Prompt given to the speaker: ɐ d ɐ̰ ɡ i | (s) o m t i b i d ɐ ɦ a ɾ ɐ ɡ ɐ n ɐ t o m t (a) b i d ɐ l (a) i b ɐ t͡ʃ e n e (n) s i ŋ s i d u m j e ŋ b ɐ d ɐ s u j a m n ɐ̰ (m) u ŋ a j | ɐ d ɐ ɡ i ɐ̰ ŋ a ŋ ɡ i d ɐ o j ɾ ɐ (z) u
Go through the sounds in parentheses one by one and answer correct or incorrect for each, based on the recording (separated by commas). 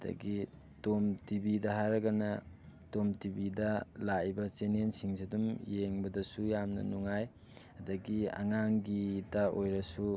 incorrect, incorrect, correct, correct, incorrect, incorrect